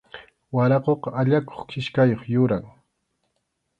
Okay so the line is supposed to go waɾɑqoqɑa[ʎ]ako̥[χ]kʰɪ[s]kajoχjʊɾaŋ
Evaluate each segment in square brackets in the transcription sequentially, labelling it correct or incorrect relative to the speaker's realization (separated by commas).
correct, correct, incorrect